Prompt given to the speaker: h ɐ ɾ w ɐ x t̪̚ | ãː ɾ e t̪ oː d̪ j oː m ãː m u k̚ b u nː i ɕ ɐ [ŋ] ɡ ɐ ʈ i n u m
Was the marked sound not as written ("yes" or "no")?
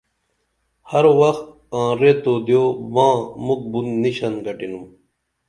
yes